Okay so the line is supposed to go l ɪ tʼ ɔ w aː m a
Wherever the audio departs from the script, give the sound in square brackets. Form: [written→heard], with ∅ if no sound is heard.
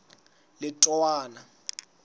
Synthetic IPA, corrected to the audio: l ɪ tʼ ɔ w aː [m→n] a